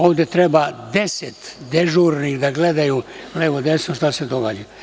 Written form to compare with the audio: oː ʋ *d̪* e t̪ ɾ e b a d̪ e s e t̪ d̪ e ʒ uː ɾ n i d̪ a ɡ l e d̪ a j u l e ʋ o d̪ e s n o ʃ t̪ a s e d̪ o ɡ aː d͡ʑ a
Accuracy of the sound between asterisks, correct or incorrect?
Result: correct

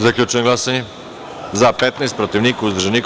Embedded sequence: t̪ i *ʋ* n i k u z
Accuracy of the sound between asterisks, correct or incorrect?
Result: incorrect: v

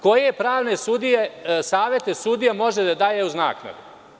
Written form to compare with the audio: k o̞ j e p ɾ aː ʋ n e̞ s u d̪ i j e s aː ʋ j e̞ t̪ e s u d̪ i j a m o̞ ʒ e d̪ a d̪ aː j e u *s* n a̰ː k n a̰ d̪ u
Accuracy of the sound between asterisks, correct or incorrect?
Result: incorrect: z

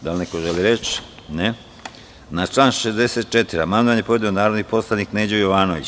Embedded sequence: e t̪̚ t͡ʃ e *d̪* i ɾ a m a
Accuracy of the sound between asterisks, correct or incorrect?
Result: incorrect: t̪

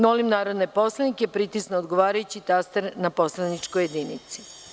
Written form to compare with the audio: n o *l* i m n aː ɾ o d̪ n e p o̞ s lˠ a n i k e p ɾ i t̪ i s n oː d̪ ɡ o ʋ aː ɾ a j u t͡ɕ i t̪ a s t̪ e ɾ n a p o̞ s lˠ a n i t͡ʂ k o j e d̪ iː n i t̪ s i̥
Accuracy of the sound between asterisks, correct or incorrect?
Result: correct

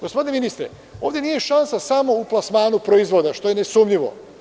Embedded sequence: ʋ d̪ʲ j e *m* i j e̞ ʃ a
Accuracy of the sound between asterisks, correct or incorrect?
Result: incorrect: n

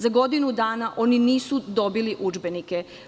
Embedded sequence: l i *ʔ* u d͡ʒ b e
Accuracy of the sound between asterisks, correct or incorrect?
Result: correct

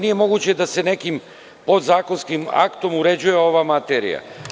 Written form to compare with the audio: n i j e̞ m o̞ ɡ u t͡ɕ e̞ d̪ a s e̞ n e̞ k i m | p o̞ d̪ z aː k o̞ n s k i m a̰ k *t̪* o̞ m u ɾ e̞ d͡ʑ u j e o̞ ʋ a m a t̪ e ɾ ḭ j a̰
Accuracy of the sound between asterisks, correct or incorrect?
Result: correct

